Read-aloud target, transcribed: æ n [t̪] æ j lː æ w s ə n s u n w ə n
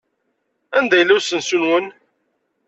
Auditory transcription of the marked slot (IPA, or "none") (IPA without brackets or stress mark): d̪